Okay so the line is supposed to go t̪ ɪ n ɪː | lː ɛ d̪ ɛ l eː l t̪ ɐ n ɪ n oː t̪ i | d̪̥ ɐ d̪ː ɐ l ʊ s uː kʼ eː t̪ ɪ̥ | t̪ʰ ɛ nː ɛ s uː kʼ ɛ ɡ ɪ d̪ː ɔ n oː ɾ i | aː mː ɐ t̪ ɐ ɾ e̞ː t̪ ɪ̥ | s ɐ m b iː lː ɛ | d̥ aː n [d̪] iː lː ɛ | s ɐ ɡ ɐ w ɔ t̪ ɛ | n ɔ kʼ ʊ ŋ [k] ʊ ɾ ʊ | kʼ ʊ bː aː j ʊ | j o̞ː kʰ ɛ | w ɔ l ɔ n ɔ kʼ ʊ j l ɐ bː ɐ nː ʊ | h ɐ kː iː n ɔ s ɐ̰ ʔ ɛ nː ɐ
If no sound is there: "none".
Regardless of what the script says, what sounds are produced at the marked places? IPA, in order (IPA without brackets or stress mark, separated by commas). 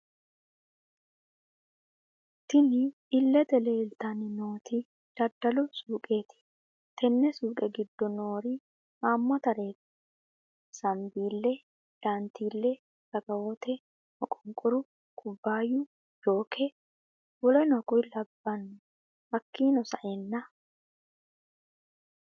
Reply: t̪, kʼ